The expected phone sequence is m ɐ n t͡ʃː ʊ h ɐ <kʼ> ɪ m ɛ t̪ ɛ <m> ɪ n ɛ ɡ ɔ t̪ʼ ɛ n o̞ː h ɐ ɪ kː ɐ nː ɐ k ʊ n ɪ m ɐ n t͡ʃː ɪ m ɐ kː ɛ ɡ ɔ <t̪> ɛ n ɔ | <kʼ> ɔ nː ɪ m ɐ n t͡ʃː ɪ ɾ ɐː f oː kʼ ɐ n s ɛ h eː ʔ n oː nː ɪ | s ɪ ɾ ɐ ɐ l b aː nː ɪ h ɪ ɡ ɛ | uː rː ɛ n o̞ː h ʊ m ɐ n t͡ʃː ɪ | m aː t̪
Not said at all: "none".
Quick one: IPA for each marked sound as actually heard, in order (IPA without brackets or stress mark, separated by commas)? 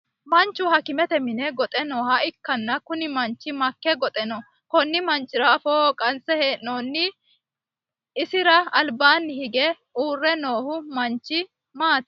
k, m, t̪ʼ, k